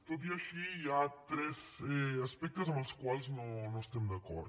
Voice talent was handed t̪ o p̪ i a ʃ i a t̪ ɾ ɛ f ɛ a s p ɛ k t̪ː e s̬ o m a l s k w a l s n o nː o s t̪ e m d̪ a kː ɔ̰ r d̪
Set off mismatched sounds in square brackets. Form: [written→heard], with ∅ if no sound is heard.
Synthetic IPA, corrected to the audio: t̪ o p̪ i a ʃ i a t̪ ɾ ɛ [f→s] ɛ a s p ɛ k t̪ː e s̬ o m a l s k w a l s n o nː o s t̪ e m d̪ a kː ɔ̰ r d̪

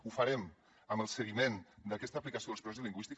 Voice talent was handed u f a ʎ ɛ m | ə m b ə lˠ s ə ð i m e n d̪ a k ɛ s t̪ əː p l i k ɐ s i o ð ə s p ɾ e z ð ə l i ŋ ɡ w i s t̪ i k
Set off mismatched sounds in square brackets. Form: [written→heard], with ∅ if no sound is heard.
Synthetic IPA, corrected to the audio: u f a [ʎ→ɾ] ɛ m | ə m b ə lˠ s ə [ð→ɣ] i m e n d̪ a k ɛ s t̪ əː p l i k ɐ s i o ð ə s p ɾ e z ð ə l i ŋ ɡ w i s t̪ i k

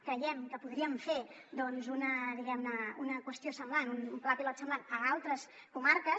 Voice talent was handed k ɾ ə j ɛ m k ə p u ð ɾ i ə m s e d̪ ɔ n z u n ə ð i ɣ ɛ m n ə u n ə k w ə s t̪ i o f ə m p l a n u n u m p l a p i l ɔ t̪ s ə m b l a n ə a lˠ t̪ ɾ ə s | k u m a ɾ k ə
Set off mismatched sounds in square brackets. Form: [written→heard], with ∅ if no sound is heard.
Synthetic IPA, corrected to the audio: k ɾ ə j ɛ m k ə p u ð ɾ i ə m [s→f] e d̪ ɔ n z u n ə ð i ɣ ɛ m n ə u n ə k w ə s t̪ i o [f→s] ə m [p→b] l a n u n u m p l a p i l ɔ t̪ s ə m b l a n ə a lˠ t̪ ɾ ə s | k u m a ɾ k ə

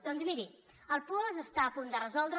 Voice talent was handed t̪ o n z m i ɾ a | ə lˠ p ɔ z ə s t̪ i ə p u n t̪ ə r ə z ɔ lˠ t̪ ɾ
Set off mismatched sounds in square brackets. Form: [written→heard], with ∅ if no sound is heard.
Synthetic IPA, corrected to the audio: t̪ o n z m i ɾ [a→i] | ə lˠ p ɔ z ə s t̪ [i→a] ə p u n [t̪→d̪] ə r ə z ɔ lˠ [t̪→d̪] ɾ

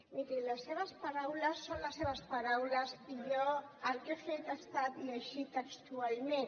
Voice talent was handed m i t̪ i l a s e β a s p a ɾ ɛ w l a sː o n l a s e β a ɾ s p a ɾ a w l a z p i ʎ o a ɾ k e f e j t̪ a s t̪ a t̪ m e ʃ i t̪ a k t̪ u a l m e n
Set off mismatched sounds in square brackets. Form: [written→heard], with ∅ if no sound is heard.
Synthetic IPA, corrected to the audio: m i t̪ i l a s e β a s p a ɾ [ɛ→a] w l a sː o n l a s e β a [ɾ→∅] s p a ɾ a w l a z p i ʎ o a ɾ k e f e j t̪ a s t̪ a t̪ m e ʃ i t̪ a k t̪ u a l m e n

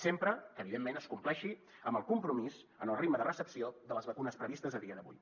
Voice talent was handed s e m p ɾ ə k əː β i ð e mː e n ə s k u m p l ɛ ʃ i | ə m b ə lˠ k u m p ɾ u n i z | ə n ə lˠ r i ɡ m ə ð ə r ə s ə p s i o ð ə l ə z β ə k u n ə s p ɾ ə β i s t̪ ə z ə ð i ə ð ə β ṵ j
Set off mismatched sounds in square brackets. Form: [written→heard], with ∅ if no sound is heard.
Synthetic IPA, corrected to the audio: s e m p ɾ ə k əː β i ð e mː e n ə s k u m p l ɛ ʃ i | ə m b ə lˠ k u m p ɾ u [n→m] i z | ə n ə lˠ r i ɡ m ə ð ə r ə s ə p s i o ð ə l ə z β ə k u n ə s p ɾ ə β i s t̪ ə z ə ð i ə ð ə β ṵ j

